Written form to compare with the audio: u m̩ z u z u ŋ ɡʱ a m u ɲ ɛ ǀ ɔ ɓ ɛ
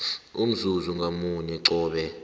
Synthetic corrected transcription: u m̩ z u z u ŋ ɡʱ a m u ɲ ɛ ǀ ɔː ɓ ɛ